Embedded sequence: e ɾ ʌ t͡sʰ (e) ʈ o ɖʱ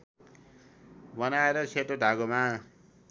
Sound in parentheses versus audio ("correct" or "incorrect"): correct